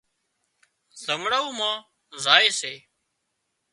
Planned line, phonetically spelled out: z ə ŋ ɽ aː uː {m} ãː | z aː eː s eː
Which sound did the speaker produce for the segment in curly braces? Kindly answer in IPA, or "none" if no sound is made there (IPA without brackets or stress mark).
m